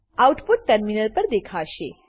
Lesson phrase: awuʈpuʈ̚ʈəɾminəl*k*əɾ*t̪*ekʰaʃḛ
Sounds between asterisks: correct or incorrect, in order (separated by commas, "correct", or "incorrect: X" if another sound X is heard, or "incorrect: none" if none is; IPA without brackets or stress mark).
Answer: incorrect: p, incorrect: d̪